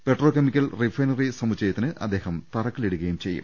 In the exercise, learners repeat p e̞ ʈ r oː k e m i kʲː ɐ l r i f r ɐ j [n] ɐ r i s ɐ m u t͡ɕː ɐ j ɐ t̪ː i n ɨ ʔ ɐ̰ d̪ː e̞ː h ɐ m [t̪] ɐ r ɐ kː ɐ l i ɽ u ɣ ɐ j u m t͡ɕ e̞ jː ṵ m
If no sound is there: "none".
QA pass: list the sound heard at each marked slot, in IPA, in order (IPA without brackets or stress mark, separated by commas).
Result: n, t̪